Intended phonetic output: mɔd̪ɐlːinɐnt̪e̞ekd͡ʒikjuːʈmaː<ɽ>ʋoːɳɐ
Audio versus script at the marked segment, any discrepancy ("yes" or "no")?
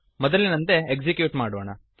no